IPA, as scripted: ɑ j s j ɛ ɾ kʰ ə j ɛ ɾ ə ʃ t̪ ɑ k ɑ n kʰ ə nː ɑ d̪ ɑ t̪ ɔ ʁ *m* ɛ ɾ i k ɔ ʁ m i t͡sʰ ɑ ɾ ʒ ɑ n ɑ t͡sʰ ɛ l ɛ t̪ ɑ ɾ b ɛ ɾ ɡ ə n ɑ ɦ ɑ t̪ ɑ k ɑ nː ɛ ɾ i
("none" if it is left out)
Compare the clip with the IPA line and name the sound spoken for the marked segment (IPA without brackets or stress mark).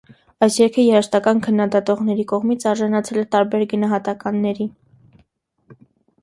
n